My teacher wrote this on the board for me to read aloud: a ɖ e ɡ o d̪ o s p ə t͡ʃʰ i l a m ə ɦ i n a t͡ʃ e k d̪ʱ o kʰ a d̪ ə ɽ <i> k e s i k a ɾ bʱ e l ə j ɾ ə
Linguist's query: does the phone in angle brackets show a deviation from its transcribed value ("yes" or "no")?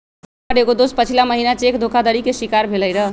no